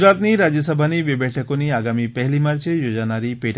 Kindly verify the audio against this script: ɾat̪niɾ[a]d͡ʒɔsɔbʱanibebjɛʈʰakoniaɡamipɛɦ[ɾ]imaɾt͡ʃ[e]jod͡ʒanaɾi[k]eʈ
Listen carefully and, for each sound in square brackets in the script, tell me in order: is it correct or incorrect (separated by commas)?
correct, incorrect, correct, incorrect